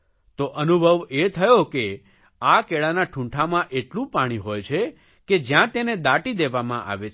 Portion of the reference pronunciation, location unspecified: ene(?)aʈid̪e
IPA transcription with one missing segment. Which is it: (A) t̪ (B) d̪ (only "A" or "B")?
B